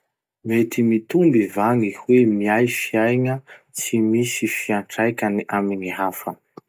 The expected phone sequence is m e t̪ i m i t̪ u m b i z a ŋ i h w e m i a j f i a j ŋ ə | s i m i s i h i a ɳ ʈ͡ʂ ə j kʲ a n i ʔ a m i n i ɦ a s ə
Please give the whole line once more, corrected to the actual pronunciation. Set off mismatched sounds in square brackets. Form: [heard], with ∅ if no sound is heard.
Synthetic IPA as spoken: m e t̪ i m i t̪ u m b i [v] a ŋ i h w e m i a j f i a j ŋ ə | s i m i s i [f] i a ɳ ʈ͡ʂ [a] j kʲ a n i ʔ a m i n i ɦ a [f] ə